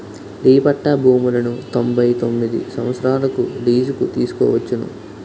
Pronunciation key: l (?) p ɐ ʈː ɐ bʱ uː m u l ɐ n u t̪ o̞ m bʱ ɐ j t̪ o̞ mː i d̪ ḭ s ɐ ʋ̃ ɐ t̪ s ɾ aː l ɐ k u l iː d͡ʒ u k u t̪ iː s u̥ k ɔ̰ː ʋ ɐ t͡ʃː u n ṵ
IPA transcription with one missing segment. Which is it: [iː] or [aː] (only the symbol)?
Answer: iː